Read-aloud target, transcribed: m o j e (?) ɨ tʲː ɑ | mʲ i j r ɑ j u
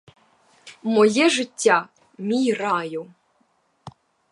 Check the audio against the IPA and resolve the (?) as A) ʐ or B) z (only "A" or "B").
A